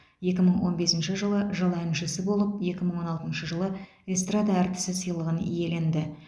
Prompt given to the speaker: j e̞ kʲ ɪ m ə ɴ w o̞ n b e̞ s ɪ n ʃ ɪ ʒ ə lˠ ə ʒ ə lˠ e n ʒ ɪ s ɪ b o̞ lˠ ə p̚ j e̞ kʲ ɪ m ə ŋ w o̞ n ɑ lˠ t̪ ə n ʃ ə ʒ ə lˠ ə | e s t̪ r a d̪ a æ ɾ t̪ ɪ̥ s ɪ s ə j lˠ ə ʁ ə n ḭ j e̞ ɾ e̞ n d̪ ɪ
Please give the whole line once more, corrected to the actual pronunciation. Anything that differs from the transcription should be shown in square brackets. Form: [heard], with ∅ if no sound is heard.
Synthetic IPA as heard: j e̞ kʲ ɪ m ə ɴ w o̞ n b e̞ s ɪ n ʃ ɪ ʒ ə lˠ ə ʒ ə lˠ [æ] n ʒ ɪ s ɪ b o̞ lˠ ə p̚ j e̞ kʲ ɪ m ə [ɴ] w o̞ n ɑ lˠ t̪ ə n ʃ ə ʒ ə lˠ ə | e s t̪ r a d̪ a æ ɾ t̪ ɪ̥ s ɪ s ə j lˠ ə ʁ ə n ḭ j e̞ [l] e̞ n d̪ ɪ